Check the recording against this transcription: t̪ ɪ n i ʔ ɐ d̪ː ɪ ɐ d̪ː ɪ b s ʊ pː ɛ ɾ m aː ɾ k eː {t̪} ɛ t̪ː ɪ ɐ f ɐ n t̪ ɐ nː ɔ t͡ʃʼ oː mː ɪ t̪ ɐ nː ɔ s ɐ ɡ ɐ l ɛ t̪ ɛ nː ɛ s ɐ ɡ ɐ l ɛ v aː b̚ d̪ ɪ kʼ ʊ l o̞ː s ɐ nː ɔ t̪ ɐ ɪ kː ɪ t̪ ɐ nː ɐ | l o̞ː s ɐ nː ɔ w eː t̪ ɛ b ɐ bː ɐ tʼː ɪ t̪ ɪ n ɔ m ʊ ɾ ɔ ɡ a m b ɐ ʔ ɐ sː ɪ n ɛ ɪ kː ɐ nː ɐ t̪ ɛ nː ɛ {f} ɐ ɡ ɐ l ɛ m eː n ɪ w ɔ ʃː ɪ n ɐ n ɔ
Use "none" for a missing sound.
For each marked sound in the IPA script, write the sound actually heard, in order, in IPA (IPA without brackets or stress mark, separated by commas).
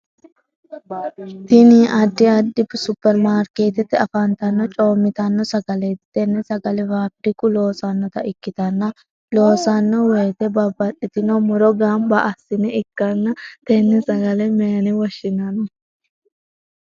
t̪, s